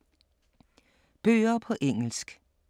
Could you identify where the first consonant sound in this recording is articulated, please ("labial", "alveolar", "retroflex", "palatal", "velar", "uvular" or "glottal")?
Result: labial